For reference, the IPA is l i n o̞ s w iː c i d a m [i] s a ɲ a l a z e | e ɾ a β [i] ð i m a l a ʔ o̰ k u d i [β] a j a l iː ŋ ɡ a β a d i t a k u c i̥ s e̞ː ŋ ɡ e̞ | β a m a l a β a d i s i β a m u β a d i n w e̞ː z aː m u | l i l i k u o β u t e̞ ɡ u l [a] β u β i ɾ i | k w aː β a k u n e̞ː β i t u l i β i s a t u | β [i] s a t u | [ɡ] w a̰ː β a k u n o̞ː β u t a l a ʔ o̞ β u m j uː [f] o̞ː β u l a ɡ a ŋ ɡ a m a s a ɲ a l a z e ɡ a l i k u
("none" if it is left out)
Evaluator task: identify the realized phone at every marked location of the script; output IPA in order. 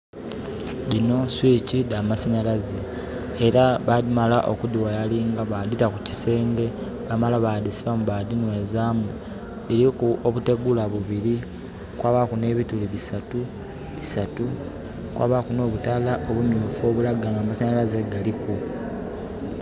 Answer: a, a, w, a, i, k, f

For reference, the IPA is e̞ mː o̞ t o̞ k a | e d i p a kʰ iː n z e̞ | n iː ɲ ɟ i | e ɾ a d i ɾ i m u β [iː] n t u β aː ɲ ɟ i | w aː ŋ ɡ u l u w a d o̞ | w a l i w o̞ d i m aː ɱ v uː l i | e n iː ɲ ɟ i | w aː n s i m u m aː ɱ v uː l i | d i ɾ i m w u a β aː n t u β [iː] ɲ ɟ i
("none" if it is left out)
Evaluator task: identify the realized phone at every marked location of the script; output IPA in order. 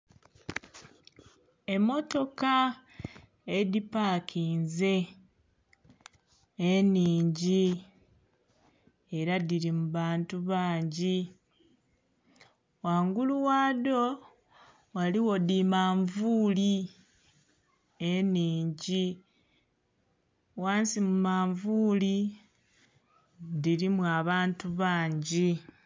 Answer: aː, aː

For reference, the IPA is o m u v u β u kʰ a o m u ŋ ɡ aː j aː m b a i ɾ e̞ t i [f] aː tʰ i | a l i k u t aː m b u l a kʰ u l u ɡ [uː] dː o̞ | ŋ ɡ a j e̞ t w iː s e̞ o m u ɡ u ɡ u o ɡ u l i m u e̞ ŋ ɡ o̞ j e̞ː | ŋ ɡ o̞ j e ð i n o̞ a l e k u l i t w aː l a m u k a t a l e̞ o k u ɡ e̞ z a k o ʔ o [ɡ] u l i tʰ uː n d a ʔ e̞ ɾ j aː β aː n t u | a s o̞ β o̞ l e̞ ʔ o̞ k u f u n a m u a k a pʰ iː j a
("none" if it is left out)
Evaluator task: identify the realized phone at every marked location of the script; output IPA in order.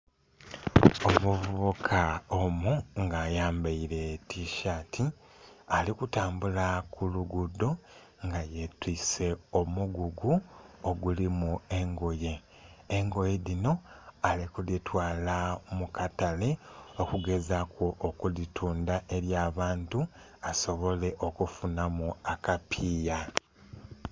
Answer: ʃ, u, k

